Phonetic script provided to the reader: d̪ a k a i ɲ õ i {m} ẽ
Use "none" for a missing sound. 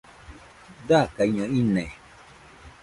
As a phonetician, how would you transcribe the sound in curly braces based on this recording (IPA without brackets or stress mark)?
n